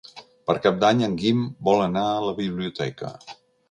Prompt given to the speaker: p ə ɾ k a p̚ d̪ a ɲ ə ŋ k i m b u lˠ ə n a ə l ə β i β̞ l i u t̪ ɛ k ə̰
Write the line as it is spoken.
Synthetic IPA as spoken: p ə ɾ k a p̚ d̪ a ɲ ə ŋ ɡ i m b ɔ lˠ ə n a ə l ə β i β̞ l i u t̪ ɛ k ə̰